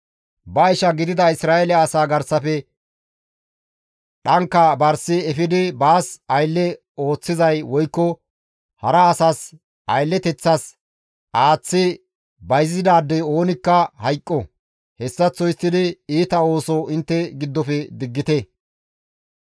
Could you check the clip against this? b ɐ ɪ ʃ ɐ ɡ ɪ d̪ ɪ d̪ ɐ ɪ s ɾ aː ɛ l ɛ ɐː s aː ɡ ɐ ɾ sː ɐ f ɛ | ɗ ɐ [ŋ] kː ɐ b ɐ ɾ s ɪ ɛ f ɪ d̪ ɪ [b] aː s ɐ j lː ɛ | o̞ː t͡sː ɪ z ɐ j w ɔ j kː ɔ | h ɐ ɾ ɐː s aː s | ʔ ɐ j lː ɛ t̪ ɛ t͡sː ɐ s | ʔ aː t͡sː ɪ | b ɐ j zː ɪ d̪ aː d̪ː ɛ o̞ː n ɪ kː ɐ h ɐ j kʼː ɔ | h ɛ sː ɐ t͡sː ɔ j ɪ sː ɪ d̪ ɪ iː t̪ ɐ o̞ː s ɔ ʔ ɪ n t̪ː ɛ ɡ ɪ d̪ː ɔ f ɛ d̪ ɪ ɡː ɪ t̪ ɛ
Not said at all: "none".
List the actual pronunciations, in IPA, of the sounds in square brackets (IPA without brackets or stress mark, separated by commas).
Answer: ŋ, b